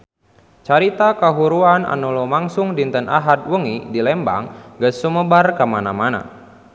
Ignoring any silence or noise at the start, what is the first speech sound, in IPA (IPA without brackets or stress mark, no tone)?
t͡ʃ